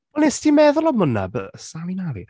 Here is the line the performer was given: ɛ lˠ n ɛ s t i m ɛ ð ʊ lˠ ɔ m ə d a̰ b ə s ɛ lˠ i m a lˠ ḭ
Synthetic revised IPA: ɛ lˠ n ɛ s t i m ɛ ð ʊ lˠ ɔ m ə n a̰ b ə s a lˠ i n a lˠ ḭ